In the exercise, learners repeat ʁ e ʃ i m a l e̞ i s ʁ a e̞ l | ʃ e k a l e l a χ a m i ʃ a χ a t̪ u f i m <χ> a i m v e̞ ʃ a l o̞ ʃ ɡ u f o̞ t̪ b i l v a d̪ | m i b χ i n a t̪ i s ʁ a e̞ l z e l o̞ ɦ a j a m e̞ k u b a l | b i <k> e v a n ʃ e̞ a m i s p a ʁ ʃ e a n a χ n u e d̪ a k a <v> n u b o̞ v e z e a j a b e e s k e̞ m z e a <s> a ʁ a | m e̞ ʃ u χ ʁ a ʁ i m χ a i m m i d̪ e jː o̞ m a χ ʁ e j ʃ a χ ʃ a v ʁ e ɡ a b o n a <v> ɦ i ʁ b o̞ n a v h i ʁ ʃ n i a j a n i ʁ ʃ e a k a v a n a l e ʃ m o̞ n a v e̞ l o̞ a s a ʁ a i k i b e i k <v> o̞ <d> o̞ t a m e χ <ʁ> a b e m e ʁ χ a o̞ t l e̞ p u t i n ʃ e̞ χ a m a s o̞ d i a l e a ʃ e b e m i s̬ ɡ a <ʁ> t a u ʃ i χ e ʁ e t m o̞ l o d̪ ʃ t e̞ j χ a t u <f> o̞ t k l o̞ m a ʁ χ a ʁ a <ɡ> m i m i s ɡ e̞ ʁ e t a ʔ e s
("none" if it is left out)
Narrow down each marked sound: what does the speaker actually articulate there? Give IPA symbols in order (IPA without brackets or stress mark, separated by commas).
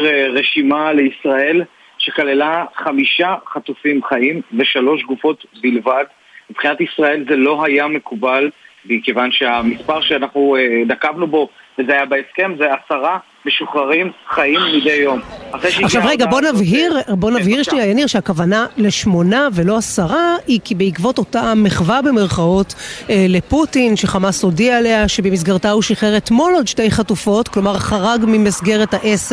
χ, k, v, s, v, v, t, v, ʁ, f, ɡ